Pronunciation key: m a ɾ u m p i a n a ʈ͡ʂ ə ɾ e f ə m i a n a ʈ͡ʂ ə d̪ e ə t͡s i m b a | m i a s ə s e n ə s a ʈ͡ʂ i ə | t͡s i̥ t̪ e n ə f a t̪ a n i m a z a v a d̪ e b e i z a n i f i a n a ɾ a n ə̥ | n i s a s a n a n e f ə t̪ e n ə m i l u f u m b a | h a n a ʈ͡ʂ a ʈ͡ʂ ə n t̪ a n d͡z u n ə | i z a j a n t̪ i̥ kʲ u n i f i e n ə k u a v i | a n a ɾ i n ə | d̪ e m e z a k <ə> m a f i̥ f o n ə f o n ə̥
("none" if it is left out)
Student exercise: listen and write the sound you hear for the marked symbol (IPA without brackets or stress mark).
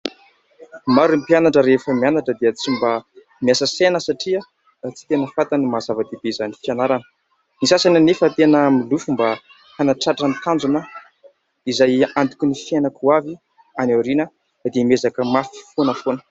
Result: ə